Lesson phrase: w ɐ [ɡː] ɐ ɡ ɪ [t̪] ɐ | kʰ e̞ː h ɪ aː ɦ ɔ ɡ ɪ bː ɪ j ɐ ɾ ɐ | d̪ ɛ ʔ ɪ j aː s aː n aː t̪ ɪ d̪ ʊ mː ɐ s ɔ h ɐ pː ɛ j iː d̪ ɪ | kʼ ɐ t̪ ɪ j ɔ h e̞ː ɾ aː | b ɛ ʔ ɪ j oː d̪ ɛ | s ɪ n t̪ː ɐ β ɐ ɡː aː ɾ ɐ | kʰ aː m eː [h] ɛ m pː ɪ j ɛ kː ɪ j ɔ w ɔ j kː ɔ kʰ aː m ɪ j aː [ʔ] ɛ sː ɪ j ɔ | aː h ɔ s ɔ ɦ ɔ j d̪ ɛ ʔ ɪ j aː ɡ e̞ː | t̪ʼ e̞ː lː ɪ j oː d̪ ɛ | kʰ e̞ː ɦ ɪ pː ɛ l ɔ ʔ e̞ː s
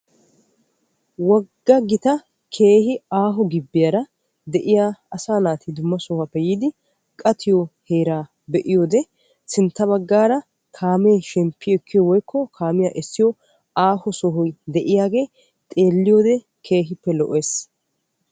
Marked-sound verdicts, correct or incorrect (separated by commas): correct, correct, incorrect, correct